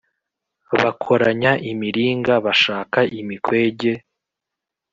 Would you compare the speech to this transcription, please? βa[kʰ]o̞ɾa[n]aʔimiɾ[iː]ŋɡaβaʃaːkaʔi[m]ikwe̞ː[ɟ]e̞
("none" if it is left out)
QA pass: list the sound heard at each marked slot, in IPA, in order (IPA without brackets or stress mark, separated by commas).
kʰ, ɲ, iː, m, ɟ